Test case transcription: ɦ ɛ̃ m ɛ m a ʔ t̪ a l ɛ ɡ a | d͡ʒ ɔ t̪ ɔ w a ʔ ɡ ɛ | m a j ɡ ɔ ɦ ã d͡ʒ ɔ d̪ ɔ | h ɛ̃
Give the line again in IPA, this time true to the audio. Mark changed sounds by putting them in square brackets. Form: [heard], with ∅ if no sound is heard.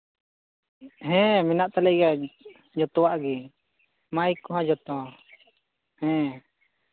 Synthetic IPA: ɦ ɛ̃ m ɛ [n] a ʔ t̪ a l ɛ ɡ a | d͡ʒ ɔ t̪ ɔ w a ʔ ɡ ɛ | m a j [k] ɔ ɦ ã d͡ʒ ɔ [t̪] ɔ | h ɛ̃